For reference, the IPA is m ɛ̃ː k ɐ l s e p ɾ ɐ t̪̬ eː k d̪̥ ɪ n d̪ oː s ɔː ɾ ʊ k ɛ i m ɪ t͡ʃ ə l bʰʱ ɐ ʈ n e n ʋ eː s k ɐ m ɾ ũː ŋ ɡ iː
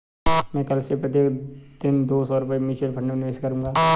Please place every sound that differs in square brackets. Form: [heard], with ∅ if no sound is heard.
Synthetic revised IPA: m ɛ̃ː k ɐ l s e p ɾ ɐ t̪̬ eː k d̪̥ ɪ n d̪ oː s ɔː ɾ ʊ [p] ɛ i m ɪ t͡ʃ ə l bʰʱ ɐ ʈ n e n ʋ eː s k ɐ [∅] ɾ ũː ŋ ɡ [aː]